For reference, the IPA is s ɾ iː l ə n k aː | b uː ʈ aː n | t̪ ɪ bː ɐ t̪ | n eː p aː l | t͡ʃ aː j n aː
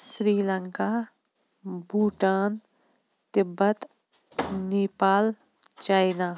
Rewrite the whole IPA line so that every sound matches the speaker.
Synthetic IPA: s ɾ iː l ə ŋ k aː | b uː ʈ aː n | t̪ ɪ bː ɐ t̪ | n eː p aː l | t͡ʃ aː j n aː